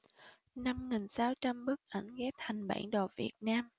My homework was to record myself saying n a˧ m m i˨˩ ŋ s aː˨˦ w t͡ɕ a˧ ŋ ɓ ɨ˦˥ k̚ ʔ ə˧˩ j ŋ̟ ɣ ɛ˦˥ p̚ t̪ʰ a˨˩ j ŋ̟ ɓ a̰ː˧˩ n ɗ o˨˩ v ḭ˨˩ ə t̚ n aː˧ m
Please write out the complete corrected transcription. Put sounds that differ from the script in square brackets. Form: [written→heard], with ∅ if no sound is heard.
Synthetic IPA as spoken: n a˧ m [m→ŋ] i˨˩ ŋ s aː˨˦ w t͡ɕ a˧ [ŋ→m] ɓ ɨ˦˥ k̚ ʔ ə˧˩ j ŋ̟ ɣ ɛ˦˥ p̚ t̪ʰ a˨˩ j ŋ̟ ɓ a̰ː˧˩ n ɗ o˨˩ v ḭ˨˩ ə t̚ n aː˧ m